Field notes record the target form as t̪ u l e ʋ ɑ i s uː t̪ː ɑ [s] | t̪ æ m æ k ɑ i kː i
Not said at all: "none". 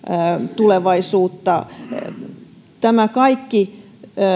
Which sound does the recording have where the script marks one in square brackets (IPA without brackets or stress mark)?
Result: none